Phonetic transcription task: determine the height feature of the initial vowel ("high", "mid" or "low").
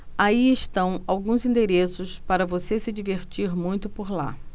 low